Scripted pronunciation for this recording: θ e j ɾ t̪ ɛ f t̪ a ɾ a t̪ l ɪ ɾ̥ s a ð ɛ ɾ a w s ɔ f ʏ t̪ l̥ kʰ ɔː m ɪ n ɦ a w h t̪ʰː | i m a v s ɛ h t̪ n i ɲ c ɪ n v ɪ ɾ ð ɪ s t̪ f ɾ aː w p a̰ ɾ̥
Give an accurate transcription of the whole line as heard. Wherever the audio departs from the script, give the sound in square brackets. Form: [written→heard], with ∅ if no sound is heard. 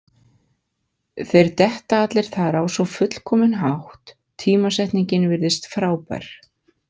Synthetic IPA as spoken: θ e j ɾ t̪ ɛ [f→h] t̪ a [ɾ→∅] a t̪ l ɪ ɾ̥ [s→θ] a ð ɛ ɾ a w s ɔ f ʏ t̪ l̥ kʰ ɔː m ɪ n ɦ a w h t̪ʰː | [i→iː] m a [v→∅] s ɛ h t̪ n i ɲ c ɪ n v ɪ ɾ ð ɪ s t̪ f ɾ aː w p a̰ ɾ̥